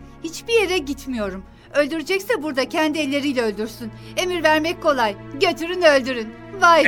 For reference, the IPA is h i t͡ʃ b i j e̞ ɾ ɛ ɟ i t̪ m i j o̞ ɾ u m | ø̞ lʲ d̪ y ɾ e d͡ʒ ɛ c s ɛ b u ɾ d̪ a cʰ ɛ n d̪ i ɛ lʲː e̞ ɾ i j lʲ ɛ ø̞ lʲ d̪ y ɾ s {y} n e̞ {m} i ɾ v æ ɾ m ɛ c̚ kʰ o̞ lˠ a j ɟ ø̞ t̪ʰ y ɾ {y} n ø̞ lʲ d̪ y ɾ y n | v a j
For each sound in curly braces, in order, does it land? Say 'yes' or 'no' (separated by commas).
yes, yes, yes